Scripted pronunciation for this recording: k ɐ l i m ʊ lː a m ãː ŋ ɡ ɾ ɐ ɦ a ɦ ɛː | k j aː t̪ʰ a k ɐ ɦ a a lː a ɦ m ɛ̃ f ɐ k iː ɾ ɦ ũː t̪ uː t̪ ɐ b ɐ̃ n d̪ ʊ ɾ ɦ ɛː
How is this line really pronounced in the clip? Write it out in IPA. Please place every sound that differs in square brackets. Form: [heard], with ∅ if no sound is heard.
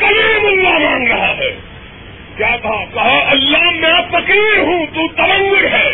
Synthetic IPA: k ɐ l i m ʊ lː a m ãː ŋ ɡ ɾ ɐ ɦ a ɦ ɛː | k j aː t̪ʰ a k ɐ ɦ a [ɐ] lː a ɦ m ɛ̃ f ɐ k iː ɾ ɦ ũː t̪ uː t̪ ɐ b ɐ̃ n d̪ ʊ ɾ ɦ ɛː